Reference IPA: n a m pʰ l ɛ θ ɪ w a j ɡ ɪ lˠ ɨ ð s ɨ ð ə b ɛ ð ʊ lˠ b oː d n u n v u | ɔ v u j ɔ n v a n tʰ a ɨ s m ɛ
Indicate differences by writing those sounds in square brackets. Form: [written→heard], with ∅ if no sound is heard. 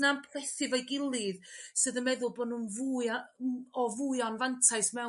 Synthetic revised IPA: n a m pʰ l ɛ θ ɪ [w→v] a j ɡ ɪ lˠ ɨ ð s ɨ ð ə [b→m] ɛ ð ʊ lˠ b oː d n u n v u | ɔ v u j ɔ n v a n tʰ a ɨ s m ɛ